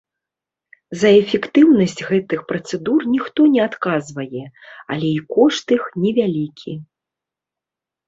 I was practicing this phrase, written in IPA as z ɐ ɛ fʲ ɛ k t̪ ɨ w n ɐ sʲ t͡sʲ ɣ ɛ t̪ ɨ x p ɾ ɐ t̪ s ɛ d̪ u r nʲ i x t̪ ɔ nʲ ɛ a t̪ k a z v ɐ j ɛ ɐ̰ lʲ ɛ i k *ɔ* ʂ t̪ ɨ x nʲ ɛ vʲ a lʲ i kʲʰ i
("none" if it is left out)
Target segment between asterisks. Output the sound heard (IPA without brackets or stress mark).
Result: ɔ